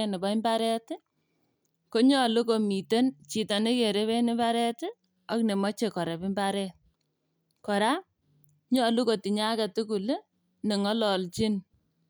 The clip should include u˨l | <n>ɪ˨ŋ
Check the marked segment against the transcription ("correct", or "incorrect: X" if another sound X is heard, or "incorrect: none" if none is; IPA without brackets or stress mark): correct